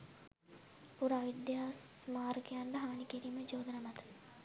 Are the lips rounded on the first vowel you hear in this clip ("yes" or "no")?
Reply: yes